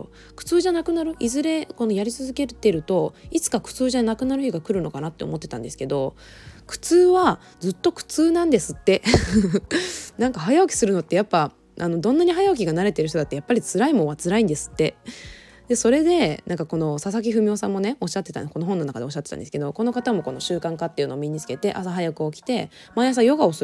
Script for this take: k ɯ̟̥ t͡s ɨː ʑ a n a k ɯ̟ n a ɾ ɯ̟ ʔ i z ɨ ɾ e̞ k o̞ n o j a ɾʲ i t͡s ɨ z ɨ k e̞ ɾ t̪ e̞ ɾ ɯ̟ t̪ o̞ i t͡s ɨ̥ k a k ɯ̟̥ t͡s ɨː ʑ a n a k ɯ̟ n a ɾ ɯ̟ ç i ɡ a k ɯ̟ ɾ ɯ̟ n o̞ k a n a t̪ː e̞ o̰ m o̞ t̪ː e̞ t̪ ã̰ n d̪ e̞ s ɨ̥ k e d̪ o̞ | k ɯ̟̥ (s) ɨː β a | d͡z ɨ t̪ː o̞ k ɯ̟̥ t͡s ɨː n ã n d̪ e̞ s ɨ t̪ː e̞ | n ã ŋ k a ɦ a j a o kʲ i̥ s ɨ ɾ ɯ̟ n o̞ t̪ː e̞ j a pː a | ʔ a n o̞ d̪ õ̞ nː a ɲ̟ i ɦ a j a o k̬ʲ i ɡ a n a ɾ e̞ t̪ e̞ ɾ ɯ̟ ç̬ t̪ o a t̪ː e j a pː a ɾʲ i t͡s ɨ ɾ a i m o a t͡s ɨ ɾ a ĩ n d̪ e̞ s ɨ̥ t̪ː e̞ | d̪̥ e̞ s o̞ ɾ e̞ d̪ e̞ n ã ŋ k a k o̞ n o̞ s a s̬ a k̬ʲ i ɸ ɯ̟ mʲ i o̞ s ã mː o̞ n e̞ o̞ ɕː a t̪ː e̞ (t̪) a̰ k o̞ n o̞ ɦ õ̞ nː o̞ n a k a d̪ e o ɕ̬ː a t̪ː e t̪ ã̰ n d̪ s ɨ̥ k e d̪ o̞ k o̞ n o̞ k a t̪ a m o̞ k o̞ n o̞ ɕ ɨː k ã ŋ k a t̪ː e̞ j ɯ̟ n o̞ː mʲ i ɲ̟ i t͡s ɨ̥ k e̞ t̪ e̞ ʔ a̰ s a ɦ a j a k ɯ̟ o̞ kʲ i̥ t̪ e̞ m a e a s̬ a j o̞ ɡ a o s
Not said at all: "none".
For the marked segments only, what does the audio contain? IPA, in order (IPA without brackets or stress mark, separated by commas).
t͡s, t̪